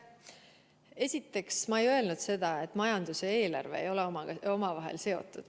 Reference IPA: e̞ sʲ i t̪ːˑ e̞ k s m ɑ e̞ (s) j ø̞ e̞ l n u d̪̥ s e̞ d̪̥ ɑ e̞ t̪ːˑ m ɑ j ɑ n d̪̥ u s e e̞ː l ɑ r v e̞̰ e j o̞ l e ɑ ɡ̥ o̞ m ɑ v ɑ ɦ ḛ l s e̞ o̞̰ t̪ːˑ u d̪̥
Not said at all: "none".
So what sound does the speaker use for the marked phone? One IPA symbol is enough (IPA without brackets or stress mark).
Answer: none